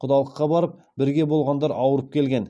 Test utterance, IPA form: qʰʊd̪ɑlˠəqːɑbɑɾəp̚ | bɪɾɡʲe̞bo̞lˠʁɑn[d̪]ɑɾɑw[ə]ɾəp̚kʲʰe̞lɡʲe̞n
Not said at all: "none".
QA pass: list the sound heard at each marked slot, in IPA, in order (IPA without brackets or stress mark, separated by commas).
d̪, ə